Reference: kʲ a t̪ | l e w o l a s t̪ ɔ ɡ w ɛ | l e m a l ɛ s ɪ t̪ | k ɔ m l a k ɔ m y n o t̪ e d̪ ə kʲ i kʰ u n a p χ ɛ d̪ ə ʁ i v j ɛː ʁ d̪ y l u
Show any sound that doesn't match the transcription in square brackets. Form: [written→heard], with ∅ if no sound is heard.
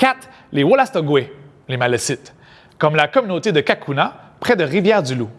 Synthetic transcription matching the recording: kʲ a t̪ | l e w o l a s t̪ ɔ ɡ w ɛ | l e m a l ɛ s ɪ t̪ | k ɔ m l a k ɔ m y n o t̪ e d̪ ə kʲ [i→a] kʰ u n a p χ ɛ d̪ ə ʁ i v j ɛː ʁ d̪ y l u